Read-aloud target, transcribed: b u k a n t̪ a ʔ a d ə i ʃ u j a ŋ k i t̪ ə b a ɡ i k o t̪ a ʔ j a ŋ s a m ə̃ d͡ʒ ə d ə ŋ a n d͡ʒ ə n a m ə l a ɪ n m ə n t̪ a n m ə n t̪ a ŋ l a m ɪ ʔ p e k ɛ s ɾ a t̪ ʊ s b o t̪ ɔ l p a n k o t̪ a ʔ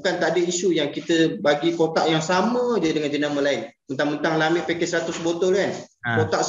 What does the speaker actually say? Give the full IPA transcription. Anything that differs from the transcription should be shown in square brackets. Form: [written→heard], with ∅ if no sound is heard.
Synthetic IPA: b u k a n t̪ a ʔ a d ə i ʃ u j a ŋ k i t̪ ə b a ɡ i k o t̪ a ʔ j a ŋ s a m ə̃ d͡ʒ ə d ə ŋ a n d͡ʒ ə n a m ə l a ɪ n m ə n t̪ a [n→ŋ] m ə n t̪ a ŋ l a m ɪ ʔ p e k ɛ s ɾ a t̪ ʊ s b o t̪ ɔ l [p→k] a n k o t̪ a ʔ